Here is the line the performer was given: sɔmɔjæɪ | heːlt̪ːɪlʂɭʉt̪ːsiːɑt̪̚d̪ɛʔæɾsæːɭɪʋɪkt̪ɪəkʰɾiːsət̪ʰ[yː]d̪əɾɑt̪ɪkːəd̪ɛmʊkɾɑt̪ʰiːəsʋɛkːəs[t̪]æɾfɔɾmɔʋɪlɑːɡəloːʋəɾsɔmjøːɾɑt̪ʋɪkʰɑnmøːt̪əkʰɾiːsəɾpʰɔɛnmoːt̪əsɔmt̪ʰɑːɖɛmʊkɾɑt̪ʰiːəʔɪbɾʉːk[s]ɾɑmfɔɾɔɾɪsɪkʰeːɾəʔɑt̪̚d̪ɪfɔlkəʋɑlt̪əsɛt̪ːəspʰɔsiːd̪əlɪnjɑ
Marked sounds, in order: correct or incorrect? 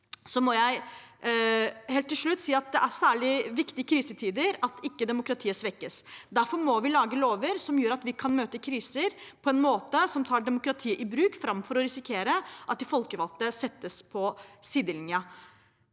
incorrect: iː, incorrect: d̪, incorrect: f

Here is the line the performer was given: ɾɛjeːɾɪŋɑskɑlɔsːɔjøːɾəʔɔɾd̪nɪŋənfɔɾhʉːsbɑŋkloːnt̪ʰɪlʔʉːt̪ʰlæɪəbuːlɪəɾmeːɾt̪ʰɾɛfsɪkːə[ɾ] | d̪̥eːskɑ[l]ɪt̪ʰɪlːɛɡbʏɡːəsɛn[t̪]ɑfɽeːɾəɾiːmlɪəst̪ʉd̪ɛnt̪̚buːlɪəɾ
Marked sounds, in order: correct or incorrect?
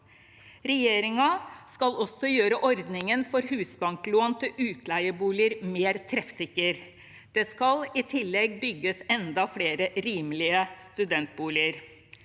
correct, correct, incorrect: d̪

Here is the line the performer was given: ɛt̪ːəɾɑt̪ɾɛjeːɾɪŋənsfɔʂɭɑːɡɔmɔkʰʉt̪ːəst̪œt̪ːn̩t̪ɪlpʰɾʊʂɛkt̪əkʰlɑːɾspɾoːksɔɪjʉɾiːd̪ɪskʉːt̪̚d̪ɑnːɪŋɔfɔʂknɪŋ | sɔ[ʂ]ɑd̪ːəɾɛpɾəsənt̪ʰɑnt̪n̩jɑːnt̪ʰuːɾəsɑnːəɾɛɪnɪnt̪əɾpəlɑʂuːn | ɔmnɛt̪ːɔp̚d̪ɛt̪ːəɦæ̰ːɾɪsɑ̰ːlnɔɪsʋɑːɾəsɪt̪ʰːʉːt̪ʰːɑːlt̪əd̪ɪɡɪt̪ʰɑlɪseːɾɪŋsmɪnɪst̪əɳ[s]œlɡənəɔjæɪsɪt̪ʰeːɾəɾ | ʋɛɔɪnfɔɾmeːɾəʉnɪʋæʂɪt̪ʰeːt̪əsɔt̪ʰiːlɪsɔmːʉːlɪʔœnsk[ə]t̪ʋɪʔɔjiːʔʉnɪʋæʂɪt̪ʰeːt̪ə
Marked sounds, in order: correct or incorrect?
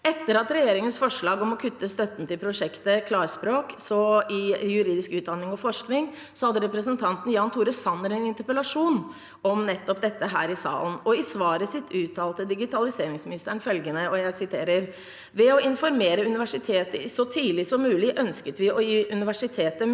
incorrect: h, incorrect: f, correct

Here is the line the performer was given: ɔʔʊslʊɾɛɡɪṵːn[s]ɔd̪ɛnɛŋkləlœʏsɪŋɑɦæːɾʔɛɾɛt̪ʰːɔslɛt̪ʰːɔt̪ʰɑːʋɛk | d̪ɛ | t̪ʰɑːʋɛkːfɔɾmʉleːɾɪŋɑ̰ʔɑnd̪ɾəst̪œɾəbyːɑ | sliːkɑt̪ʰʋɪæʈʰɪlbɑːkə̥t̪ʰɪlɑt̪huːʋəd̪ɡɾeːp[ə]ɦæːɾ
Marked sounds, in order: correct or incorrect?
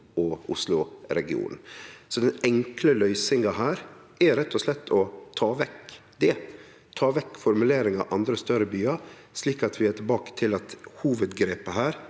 correct, correct

